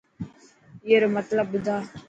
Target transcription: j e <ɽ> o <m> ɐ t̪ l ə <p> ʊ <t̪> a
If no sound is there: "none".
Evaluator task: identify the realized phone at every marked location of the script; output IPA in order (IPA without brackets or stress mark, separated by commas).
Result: ɾ, m, b, d̪